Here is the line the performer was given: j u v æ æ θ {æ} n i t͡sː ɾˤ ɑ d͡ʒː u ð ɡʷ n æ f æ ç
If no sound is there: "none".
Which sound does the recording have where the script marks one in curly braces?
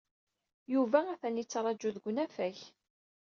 æ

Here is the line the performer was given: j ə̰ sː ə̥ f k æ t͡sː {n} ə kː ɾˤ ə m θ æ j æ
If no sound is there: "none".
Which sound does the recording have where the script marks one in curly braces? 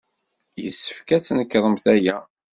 n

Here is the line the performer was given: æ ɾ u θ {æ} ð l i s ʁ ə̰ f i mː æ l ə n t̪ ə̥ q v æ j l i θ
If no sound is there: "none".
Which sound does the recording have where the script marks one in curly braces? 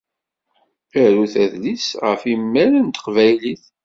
æ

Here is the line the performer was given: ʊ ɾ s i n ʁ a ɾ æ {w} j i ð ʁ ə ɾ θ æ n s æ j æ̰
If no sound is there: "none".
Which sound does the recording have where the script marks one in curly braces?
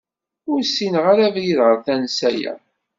v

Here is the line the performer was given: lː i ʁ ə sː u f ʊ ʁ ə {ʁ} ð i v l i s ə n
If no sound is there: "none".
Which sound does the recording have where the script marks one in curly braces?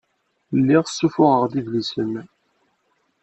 ʁ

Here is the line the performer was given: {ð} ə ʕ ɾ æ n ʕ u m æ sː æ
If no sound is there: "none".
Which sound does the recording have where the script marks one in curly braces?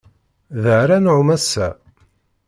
ð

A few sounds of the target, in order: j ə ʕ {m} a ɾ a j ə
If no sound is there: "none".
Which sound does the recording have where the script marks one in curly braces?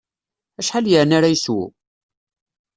n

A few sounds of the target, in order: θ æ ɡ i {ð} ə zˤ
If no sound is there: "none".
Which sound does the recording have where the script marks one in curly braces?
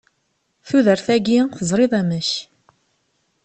θ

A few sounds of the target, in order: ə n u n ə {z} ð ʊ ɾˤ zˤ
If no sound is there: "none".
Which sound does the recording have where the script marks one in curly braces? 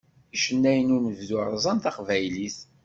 v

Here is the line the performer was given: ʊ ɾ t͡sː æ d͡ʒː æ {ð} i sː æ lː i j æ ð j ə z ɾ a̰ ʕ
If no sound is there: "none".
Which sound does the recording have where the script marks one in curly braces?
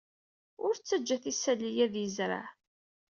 θ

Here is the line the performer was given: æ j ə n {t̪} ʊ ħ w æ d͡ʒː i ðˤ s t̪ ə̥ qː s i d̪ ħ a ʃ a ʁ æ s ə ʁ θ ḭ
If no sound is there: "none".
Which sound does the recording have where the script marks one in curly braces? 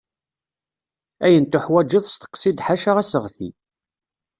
t̪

